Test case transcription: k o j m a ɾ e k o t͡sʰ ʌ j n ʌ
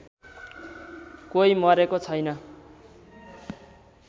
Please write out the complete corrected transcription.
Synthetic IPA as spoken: k o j m ʌ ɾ e k o t͡sʰ ʌ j n ʌ